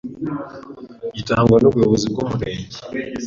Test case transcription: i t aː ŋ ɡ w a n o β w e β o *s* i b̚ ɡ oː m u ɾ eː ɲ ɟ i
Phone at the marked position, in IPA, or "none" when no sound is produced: z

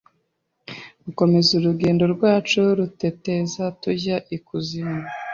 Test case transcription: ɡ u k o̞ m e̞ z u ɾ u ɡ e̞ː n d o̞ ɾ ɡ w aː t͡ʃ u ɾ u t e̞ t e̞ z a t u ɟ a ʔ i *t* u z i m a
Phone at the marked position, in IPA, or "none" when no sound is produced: k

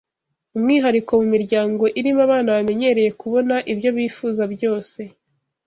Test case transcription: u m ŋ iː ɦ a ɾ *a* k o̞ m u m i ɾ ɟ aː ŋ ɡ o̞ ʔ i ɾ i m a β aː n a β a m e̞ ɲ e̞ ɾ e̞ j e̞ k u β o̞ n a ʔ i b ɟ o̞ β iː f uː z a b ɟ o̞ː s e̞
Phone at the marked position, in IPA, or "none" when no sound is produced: i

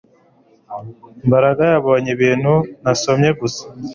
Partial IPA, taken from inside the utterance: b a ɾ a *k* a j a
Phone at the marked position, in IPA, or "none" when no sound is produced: ɡ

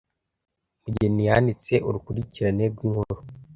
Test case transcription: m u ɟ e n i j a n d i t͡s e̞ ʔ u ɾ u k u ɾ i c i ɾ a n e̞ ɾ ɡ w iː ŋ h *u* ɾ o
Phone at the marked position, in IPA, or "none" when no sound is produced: o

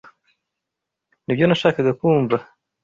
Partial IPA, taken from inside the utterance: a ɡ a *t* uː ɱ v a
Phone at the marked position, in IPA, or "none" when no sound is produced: k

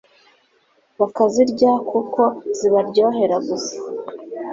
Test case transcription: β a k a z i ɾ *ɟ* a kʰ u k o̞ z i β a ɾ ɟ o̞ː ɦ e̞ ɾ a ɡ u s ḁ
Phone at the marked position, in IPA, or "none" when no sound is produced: ɟ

